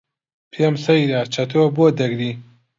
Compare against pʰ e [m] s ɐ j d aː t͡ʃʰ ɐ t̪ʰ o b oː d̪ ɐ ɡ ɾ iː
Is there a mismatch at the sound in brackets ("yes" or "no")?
no